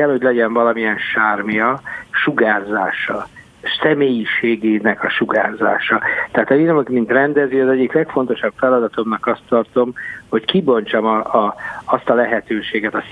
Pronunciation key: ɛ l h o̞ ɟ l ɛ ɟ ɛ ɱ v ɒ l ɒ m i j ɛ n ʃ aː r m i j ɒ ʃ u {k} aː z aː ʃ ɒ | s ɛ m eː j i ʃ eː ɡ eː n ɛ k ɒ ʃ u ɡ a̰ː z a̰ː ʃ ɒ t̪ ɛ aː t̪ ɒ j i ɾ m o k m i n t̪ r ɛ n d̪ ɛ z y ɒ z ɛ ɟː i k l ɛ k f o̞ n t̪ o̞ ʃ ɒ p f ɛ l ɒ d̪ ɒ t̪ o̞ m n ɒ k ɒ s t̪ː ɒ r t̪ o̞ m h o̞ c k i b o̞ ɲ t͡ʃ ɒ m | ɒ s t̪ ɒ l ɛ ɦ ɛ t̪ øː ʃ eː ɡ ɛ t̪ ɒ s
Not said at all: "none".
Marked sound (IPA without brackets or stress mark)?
ɡ